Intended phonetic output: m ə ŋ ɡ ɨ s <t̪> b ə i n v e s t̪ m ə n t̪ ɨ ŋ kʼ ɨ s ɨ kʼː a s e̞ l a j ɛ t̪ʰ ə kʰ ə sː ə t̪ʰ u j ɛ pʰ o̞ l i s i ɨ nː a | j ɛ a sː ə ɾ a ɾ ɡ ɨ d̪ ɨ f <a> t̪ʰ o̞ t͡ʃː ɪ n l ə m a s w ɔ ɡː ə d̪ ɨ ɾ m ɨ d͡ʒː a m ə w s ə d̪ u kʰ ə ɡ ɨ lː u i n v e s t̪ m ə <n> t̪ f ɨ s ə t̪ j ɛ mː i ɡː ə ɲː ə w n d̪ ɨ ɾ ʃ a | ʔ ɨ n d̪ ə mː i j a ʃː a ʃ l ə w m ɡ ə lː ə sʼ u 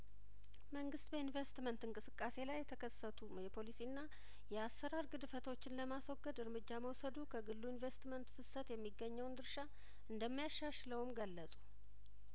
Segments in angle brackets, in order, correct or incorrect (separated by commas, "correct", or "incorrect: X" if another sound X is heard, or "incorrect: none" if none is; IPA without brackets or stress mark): correct, incorrect: ə, correct